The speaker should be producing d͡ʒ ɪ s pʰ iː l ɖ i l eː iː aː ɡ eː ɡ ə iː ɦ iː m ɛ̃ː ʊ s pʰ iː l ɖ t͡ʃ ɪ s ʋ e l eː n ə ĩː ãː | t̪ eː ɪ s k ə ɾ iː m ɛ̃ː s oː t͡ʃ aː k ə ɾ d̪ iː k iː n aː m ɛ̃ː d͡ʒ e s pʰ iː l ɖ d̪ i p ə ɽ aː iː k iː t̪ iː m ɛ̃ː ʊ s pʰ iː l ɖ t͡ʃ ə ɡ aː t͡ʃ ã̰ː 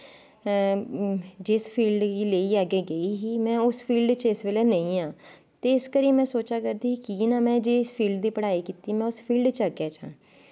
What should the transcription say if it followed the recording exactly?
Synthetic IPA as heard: d͡ʒ ɪ s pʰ iː l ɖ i l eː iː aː ɡ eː ɡ ə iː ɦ iː m ɛ̃ː ʊ s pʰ iː l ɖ t͡ʃ ɪ s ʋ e l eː n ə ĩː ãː | t̪ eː ɪ s k ə ɾ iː m ɛ̃ː s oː t͡ʃ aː k ə ɾ d̪ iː k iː n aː m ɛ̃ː d͡ʒ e s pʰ iː l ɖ d̪ iː p ə ɽ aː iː k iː t̪ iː m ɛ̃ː ʊ s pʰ iː l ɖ t͡ʃ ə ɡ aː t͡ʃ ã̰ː